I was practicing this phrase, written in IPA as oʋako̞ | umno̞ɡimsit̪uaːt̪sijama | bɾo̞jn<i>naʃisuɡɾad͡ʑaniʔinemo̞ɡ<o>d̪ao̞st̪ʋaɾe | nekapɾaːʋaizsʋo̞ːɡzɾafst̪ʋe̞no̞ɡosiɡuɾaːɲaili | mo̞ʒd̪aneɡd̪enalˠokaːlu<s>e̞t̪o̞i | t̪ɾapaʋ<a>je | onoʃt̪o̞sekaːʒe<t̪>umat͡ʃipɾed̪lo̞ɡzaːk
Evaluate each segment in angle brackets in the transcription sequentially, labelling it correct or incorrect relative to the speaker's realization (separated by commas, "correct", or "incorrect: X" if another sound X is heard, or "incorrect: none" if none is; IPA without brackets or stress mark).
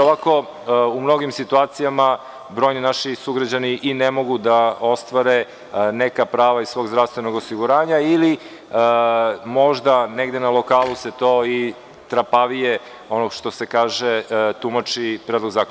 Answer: correct, incorrect: u, correct, incorrect: i, correct